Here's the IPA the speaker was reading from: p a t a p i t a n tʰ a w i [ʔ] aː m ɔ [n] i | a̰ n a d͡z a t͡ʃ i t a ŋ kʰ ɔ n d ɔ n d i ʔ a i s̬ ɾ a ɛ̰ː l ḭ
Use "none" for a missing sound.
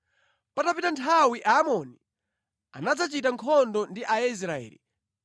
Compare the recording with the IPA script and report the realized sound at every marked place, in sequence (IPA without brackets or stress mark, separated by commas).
ʔ, n